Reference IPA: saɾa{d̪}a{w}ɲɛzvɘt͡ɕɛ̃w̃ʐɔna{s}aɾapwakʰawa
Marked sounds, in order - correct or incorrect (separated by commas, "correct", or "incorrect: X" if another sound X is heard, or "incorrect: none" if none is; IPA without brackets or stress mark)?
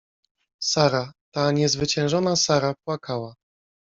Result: incorrect: t̪, incorrect: none, correct